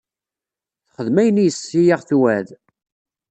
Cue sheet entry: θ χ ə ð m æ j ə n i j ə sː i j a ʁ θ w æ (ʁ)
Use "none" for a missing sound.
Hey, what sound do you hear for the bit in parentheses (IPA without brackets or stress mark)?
ð